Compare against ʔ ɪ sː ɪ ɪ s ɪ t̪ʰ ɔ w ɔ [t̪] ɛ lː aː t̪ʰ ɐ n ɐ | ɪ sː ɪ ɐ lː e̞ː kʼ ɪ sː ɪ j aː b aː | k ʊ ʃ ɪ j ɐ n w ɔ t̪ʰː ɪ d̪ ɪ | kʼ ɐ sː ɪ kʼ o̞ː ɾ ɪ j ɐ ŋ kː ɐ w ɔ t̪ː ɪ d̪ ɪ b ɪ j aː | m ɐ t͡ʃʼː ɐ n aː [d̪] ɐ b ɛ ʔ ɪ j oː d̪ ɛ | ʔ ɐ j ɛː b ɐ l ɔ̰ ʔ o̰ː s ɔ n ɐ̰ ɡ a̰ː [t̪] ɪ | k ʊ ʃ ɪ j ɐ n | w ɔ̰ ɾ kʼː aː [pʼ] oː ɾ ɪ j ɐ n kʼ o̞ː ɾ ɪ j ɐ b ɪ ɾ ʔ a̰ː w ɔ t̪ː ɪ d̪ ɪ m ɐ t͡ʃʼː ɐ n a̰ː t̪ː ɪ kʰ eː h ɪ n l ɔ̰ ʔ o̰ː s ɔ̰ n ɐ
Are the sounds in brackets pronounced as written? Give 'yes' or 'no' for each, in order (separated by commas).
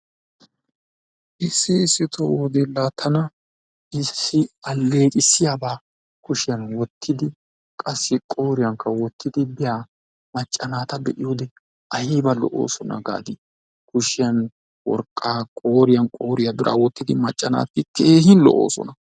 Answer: no, no, no, no